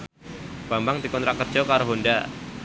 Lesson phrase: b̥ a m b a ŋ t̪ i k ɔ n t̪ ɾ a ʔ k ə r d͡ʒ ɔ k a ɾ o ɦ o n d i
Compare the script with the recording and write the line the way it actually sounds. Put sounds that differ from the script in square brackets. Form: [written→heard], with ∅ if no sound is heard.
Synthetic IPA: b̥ a m b a ŋ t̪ i k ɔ n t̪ ɾ a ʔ k ə r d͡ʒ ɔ k a ɾ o ɦ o n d [i→a]